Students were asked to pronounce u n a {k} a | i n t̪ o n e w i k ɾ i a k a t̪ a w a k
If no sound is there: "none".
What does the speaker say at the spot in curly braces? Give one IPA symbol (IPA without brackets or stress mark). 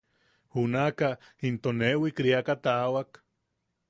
k